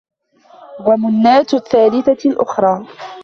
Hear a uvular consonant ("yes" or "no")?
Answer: no